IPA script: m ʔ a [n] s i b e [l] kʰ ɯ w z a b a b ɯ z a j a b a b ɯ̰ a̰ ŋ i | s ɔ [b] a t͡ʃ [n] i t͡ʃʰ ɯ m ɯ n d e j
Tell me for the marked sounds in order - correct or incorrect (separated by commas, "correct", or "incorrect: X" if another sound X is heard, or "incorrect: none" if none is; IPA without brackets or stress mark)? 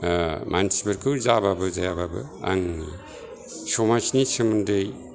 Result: correct, incorrect: ɾ, incorrect: m, correct